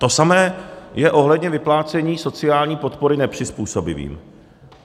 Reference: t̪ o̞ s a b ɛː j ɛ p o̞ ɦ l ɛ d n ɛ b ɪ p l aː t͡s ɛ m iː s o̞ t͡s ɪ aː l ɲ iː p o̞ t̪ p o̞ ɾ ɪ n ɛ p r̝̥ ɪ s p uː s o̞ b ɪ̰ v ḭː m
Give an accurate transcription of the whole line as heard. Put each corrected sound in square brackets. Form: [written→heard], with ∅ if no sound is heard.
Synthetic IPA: t̪ o̞ s a [b→m] ɛː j ɛ [p→ʔ] o̞ ɦ l ɛ d [n→ɲ] ɛ [b→v] ɪ p l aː t͡s ɛ [m→ɲ] iː s o̞ t͡s ɪ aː l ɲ iː p o̞ t̪ p o̞ ɾ ɪ n ɛ p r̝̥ ɪ s p uː s o̞ b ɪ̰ v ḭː m